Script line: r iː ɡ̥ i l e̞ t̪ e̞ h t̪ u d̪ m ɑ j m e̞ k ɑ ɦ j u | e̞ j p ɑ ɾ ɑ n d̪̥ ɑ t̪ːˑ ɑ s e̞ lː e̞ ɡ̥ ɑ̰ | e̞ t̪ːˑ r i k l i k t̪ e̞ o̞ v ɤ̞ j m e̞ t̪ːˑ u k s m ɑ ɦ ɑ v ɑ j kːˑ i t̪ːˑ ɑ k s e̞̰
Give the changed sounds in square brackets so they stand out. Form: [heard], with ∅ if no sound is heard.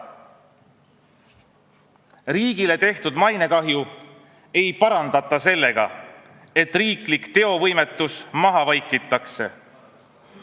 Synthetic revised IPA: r iː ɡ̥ i l e̞ t̪ e̞ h t̪ u d̪ m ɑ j [n] e̞ k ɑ ɦ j u | e̞ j p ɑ ɾ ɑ n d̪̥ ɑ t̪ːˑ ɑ s e̞ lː e̞ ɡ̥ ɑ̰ | e̞ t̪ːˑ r [iː] k l i k t̪ e̞ o̞ v ɤ̞ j m e̞ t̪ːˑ u [∅] s m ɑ ɦ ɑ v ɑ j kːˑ i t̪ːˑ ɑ k s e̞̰